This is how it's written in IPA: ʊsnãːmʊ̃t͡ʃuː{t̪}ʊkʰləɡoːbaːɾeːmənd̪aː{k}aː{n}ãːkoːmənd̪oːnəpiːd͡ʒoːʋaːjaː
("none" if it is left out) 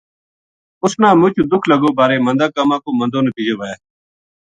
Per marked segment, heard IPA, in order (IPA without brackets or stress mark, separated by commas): d̪, k, m